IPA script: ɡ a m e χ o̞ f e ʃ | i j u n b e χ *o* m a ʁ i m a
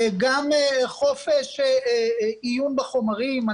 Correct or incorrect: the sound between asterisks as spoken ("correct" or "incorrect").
correct